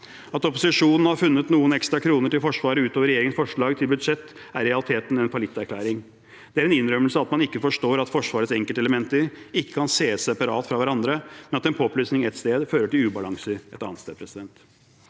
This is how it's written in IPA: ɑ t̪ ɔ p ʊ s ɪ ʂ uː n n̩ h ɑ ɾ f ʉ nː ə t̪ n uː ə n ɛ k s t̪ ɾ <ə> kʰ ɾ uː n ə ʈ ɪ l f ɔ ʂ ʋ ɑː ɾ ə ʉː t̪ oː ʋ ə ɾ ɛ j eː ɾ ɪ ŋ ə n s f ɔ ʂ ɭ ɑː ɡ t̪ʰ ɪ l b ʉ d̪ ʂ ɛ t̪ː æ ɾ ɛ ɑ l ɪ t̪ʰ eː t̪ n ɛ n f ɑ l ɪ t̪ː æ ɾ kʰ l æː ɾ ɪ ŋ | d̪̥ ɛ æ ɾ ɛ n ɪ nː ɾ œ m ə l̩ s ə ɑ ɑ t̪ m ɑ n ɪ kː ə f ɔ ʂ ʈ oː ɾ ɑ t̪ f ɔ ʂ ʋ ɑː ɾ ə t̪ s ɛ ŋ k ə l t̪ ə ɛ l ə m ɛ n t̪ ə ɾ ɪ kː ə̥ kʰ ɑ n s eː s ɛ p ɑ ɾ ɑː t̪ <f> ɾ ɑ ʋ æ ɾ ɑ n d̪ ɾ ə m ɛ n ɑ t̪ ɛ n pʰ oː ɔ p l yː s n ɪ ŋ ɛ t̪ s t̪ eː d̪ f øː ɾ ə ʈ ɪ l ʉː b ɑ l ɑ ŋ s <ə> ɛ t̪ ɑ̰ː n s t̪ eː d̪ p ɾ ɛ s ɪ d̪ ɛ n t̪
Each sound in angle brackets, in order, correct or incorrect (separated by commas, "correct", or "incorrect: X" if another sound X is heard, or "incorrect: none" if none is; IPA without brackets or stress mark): incorrect: ɑ, correct, correct